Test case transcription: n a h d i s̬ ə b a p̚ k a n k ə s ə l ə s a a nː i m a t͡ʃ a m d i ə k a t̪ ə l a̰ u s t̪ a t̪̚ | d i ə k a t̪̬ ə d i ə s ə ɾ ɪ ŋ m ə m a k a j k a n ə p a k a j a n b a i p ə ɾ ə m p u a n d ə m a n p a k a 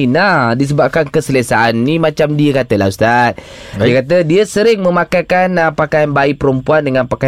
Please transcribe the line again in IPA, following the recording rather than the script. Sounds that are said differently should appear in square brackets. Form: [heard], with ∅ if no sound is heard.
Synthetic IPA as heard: n a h d i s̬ ə b a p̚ k a n k ə s ə l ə s a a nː i m a t͡ʃ a m d i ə k a t̪ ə l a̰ u s t̪ a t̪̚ | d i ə k a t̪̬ ə d i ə s ə ɾ ɪ ŋ m ə m a k a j k a n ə p a k a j a n b a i p ə ɾ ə m p u a n d ə [ŋ] a n p a k a